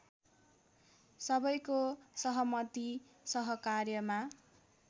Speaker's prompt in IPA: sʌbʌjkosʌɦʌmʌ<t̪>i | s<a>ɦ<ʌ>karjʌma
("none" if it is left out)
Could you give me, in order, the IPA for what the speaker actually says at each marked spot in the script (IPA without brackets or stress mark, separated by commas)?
t̪, ʌ, ʌ